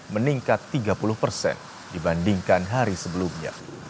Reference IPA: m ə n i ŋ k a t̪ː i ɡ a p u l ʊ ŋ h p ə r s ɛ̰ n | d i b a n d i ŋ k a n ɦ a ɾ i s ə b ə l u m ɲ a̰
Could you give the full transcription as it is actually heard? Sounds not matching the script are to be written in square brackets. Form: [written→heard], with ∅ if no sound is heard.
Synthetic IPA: m ə n i ŋ k a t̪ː i ɡ a p u l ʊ [ŋ→∅] h p ə r s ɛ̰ n | d i b a n d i ŋ k a n ɦ a ɾ i s ə b ə l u m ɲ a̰